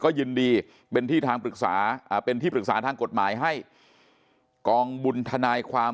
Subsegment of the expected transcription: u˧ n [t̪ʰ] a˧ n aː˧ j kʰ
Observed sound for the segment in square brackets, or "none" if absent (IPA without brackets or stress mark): t̪ʰ